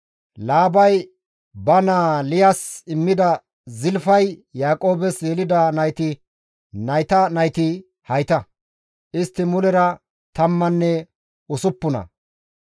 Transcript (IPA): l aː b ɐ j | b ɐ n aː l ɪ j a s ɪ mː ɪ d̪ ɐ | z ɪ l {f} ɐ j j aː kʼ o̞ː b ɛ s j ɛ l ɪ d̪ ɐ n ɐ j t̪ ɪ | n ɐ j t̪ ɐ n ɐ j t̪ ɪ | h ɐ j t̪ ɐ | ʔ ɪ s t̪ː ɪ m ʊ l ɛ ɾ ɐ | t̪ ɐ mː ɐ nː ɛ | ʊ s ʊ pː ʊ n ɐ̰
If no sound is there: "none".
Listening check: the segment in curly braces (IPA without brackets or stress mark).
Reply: f